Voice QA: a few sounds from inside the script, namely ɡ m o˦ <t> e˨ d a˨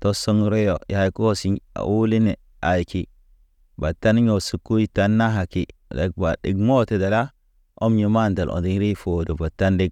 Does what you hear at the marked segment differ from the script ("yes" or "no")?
no